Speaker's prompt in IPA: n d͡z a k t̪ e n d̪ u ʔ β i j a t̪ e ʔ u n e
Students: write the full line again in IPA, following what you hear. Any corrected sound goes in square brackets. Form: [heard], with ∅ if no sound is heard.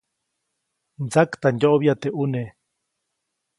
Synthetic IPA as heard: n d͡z a k t̪ [a] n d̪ [o] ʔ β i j a t̪ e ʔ u n e